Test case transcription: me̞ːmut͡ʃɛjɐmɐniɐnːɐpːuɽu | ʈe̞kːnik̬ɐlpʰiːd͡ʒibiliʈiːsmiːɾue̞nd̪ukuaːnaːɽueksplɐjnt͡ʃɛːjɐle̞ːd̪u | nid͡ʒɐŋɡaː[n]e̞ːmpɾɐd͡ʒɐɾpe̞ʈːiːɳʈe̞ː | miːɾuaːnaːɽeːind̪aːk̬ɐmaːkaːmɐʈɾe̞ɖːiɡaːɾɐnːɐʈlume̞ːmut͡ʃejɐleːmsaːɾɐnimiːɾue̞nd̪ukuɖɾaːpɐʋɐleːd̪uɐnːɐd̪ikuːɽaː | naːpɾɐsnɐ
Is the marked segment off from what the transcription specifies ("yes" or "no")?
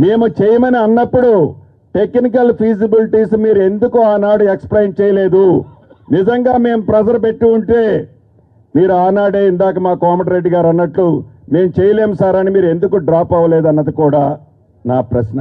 yes